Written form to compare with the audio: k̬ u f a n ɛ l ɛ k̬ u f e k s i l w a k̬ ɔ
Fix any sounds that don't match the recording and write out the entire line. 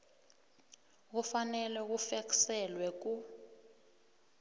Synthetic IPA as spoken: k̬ u f a n ɛ l ɛ k̬ u f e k s ɛ l w ɛ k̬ u